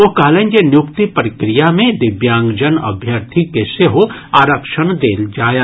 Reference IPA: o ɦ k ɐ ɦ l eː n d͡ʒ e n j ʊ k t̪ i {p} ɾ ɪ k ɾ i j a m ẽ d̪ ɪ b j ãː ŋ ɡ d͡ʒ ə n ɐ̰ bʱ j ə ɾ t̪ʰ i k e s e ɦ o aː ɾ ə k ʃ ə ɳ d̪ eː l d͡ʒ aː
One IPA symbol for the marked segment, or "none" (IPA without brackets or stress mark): p